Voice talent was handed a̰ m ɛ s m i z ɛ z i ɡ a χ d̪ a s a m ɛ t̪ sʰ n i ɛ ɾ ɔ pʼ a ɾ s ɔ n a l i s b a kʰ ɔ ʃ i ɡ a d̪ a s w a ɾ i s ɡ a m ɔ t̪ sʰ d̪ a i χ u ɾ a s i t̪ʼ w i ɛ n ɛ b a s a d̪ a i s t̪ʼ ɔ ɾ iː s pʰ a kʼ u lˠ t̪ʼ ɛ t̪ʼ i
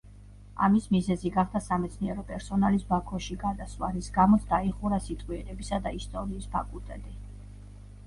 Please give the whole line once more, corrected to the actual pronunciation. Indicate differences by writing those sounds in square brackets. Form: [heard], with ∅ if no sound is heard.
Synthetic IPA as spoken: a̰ m [i] s m i z ɛ z i ɡ a χ d̪ a s a m ɛ t̪ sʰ n i ɛ ɾ ɔ pʼ [ɛ] ɾ s ɔ n a l i s b a kʰ ɔ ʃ i ɡ a d̪ a s w a ɾ i s ɡ a m ɔ t̪ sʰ d̪ a i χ u ɾ a s i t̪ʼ w i ɛ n ɛ b [i] s a d̪ a i s t̪ʼ ɔ ɾ iː s pʰ a kʼ u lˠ t̪ʼ ɛ t̪ʼ i